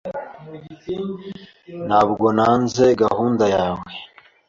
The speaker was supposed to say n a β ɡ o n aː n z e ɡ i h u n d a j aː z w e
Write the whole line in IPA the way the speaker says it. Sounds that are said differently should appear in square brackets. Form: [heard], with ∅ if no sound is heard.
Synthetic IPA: n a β ɡ o n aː n z e ɡ [a] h [uː] n d a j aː [∅] w e